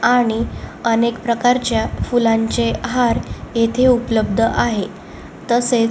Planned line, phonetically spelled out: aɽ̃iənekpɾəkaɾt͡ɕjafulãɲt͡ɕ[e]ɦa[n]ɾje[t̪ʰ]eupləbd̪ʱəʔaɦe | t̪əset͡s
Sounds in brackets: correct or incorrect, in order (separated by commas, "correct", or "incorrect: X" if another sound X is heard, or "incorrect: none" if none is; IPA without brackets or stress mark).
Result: correct, incorrect: none, correct